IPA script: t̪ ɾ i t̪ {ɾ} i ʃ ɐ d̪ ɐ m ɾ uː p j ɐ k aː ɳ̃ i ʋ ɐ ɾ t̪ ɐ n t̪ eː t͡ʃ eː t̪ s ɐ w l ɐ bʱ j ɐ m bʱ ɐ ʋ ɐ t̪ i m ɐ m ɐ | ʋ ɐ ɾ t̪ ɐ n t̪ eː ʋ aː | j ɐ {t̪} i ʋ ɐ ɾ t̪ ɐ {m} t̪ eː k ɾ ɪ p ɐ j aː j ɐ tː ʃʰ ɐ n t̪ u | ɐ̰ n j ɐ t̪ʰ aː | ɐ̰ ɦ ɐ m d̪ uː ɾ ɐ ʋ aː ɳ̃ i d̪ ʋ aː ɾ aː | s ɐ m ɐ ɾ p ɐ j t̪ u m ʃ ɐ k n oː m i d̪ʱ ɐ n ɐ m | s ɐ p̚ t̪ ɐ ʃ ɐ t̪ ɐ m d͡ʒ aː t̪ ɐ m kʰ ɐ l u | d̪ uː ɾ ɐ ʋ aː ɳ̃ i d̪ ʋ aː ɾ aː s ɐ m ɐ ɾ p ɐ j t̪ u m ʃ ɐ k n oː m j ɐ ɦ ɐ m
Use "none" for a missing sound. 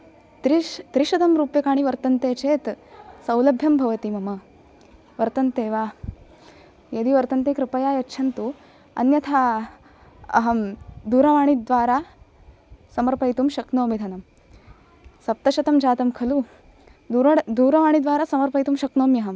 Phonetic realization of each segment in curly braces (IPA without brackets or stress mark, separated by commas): ɾ, d̪, n